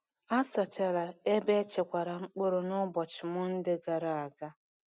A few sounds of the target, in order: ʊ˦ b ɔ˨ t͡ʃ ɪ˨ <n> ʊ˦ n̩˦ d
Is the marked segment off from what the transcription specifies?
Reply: yes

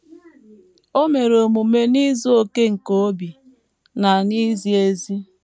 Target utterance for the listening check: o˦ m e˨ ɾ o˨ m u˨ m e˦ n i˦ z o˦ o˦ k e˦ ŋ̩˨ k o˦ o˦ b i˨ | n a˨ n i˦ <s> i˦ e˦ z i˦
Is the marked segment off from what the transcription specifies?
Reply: yes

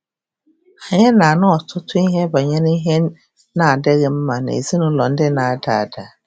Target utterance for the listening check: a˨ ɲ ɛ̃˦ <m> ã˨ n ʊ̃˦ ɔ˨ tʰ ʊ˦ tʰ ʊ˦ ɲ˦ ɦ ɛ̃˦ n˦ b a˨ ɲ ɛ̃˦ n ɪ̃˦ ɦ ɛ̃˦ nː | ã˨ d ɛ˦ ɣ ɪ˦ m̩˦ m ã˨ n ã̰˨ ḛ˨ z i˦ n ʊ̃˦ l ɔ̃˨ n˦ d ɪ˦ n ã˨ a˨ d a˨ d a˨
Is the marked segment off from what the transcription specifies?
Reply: yes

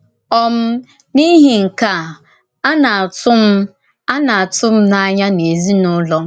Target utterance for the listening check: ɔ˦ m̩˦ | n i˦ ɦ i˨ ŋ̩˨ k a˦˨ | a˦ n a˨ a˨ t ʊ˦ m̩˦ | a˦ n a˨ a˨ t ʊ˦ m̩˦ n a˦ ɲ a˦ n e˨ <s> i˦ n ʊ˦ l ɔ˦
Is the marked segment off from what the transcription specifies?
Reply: yes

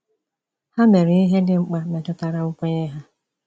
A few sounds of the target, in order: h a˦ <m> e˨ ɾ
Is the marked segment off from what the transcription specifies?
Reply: no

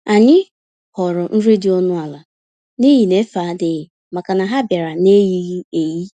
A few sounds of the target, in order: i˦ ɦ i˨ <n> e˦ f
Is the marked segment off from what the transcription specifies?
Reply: no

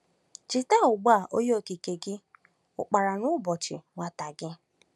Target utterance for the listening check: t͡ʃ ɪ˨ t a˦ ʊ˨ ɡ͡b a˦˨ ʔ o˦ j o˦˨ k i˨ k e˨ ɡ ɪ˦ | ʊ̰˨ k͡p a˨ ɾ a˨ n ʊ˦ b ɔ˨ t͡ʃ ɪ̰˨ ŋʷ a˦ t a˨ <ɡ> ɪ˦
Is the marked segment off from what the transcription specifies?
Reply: no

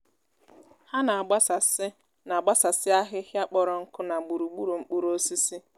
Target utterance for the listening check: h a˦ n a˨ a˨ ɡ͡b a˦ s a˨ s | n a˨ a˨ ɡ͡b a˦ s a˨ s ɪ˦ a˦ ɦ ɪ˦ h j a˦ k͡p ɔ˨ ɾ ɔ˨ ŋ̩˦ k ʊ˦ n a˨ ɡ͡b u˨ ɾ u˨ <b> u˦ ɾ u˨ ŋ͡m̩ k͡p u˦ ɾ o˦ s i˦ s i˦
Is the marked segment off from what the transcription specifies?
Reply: yes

